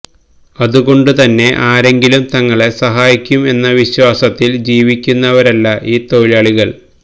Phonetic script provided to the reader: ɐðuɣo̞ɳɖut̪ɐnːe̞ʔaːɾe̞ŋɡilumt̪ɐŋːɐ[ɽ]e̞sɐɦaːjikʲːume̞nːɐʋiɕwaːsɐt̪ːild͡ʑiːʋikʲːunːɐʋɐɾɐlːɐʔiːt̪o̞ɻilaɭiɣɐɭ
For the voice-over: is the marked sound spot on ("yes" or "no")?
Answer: no